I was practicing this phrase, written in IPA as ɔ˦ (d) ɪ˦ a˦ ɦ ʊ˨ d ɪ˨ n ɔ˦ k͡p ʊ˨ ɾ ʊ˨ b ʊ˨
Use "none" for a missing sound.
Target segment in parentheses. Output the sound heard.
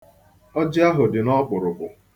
d͡ʒ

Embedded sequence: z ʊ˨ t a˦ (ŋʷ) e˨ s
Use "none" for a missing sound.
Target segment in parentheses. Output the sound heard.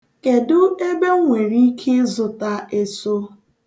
none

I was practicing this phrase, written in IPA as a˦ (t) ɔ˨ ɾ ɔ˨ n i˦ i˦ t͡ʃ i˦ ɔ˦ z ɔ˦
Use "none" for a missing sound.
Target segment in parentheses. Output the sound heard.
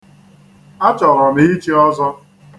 t͡ʃ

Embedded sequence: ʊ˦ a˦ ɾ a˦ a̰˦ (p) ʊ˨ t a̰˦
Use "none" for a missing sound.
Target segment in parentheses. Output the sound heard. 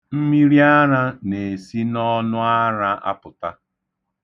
p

